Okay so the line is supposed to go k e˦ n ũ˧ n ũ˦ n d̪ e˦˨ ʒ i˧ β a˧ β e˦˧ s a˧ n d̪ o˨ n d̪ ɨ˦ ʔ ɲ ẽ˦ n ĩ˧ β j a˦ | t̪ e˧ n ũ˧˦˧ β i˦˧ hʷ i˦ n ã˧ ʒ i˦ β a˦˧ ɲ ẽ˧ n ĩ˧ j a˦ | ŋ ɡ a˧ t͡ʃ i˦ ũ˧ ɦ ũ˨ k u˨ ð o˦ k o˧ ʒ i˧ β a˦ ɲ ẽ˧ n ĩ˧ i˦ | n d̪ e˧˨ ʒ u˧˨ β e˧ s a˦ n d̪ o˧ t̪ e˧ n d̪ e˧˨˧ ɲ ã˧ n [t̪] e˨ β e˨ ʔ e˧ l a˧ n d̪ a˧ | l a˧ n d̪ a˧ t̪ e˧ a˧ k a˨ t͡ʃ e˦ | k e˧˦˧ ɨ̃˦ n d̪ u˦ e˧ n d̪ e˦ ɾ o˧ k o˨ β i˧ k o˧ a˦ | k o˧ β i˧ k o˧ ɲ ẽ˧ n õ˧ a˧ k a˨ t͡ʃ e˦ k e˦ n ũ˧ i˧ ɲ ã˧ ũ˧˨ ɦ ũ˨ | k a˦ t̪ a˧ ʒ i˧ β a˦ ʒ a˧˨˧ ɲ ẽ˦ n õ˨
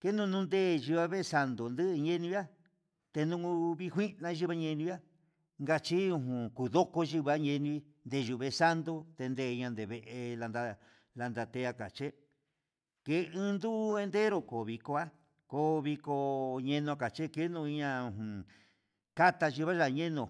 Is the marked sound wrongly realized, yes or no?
yes